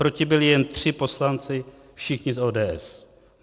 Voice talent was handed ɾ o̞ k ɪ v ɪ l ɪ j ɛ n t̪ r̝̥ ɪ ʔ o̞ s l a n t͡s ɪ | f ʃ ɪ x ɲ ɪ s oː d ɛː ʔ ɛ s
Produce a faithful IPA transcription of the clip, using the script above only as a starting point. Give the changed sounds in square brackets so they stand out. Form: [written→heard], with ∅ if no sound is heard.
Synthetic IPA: ɾ o̞ [k→c] ɪ [v→b] ɪ l ɪ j ɛ n t̪ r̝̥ ɪ [ʔ→p] o̞ s l a n t͡s ɪ | f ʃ ɪ x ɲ ɪ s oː d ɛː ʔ ɛ s